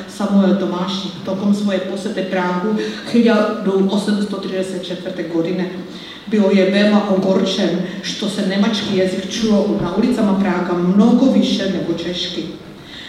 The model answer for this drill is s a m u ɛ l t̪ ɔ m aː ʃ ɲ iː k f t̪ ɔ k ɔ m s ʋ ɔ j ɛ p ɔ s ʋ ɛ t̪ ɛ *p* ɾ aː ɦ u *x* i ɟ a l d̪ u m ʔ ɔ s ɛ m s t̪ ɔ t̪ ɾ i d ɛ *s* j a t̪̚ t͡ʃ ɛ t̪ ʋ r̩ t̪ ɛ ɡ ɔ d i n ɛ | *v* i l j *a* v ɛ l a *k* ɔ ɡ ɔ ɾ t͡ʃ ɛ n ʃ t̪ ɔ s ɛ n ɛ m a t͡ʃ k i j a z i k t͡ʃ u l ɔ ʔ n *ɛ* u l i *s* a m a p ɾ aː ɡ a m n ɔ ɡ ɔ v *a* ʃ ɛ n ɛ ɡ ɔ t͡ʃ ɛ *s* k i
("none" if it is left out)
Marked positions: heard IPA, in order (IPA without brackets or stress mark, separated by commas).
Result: p, x, s, b, ɛ, ʔ, a, t͡s, i, ʃ